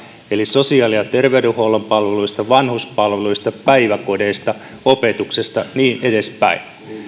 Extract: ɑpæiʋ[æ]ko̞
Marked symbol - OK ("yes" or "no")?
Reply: yes